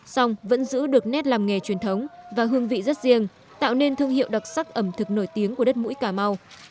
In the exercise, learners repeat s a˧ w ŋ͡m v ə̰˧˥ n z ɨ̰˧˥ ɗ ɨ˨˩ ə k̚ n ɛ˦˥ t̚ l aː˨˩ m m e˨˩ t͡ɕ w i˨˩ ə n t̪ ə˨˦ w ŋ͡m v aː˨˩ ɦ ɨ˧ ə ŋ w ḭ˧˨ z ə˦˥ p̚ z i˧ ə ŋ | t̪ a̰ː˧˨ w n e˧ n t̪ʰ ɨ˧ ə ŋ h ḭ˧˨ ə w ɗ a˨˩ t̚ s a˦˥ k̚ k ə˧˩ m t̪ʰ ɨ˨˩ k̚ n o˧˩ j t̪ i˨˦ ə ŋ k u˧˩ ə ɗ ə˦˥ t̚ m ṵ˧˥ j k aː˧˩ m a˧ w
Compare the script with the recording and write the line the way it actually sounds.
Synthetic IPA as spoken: s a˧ w ŋ͡m v ə̰˧˥ n z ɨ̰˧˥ ɗ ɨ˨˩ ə k̚ n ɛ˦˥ t̚ l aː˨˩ m ŋ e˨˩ t͡ɕ w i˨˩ ə n t̪ʰ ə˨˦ w ŋ͡m v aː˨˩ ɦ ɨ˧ ə ŋ v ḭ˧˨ z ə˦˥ t̚ z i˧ ə ŋ | t̪ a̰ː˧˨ w n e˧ n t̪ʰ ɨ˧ ə ŋ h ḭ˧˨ ə w ɗ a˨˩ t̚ s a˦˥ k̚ ʔ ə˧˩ m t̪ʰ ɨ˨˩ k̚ n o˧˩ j t̪ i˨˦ ə ŋ k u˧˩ ə ɗ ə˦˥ t̚ m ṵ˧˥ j k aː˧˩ m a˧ w